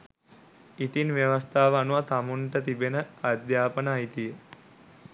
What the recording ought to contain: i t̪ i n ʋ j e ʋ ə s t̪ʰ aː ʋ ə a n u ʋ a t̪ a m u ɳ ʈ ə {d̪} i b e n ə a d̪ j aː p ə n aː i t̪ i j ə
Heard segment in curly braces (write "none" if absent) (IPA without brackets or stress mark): t̪